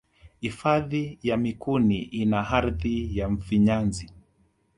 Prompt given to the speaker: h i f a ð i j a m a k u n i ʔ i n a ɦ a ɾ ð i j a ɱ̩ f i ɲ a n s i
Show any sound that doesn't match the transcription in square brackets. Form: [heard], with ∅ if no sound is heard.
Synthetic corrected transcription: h i f a ð i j a m [i] k u n i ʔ i n a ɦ a ɾ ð i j a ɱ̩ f i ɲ a n [z] i